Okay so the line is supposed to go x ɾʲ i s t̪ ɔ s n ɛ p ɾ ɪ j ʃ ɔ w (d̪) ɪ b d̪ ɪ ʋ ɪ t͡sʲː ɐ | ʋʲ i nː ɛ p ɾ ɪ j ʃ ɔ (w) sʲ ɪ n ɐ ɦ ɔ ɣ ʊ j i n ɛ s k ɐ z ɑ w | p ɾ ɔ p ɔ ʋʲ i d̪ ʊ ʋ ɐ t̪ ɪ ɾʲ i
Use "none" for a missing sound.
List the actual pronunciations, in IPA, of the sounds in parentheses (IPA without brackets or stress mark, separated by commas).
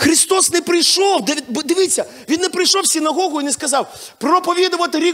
d̪, w